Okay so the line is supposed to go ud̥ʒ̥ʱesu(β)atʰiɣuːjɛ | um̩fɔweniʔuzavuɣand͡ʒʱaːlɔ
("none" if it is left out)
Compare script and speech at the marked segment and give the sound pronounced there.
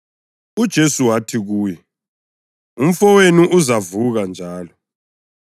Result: w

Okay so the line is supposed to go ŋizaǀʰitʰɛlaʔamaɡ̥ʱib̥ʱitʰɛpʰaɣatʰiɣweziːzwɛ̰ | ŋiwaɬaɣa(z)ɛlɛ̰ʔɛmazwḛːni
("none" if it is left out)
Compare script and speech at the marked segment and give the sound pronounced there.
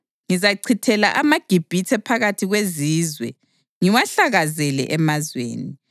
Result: z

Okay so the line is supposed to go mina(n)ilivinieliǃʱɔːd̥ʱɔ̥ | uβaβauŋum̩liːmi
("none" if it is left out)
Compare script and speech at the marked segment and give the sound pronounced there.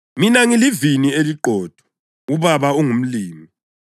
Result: ŋ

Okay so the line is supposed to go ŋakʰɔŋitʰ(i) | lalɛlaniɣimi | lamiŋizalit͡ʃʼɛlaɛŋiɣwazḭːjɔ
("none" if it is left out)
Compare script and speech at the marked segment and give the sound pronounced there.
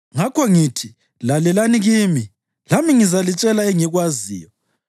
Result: i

